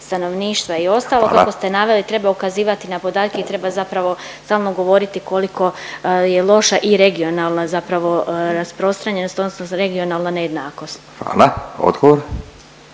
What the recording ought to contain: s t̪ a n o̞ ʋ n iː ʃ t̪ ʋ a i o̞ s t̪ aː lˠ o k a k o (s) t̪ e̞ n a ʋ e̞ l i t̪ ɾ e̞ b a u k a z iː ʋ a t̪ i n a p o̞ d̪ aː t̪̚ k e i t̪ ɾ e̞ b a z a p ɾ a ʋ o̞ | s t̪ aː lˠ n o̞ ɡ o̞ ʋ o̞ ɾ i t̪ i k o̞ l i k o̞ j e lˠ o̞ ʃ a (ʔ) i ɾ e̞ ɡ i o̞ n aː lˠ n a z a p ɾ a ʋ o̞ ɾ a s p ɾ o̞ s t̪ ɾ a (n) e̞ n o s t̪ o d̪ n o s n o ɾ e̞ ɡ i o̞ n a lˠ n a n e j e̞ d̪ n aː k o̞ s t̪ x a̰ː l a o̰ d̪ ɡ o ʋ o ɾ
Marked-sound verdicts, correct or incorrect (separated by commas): correct, correct, incorrect